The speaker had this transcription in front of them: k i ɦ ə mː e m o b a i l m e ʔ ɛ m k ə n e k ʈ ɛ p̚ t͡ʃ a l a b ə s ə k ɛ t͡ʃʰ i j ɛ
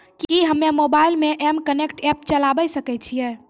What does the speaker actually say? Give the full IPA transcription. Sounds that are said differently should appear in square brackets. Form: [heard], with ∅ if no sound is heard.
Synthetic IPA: k i ɦ ə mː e m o b a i l m e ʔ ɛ m k ə n e k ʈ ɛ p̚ t͡ʃ [ə] l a b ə s ə k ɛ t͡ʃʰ i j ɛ